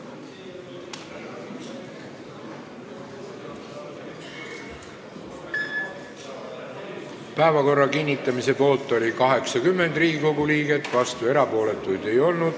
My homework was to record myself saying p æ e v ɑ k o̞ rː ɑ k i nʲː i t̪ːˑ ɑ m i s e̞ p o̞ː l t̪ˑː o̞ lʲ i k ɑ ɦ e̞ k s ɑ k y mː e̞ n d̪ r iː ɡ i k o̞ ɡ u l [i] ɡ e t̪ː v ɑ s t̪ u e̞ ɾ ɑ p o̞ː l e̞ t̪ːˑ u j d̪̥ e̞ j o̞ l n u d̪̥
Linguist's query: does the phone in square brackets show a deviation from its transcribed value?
yes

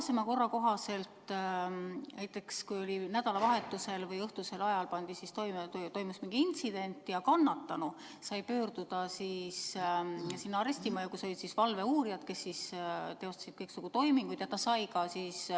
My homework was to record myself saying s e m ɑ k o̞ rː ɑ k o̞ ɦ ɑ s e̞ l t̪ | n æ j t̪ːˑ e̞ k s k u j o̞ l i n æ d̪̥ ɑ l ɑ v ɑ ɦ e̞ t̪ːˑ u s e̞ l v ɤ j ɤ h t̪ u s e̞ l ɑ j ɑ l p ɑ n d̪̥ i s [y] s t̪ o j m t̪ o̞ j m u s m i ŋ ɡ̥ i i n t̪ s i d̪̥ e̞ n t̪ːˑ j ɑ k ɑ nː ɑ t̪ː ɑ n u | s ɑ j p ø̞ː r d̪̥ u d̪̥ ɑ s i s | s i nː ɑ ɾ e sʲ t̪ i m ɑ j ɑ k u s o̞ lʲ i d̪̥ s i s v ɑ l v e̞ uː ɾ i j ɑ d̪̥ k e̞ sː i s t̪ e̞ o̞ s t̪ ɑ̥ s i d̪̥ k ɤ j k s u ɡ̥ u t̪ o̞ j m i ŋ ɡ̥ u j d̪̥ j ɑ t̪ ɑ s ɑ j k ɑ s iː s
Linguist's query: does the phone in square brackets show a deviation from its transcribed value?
yes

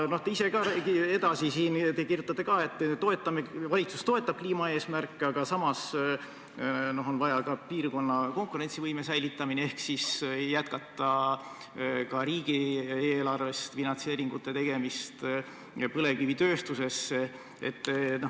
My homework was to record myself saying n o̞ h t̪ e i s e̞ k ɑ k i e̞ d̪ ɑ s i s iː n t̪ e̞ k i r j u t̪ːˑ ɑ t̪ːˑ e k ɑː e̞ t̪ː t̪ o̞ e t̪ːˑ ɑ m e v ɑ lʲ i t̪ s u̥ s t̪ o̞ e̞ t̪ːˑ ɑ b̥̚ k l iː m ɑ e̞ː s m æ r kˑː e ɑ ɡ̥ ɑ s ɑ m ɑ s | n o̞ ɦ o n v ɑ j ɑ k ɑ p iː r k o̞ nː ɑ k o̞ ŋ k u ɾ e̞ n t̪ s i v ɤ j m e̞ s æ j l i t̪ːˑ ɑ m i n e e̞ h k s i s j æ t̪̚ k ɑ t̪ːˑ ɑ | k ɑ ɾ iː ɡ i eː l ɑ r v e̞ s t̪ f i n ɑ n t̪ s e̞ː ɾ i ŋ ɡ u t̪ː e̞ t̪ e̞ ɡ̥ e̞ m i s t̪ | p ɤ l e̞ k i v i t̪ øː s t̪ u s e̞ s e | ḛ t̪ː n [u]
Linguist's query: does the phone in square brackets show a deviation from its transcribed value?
yes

